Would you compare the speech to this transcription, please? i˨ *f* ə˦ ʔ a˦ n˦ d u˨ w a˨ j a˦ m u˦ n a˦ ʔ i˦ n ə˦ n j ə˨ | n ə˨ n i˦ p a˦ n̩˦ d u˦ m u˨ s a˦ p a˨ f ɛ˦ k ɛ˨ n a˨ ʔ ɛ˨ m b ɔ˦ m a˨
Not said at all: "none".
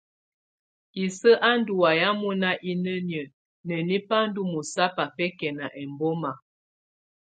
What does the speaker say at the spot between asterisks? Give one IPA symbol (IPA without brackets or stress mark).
s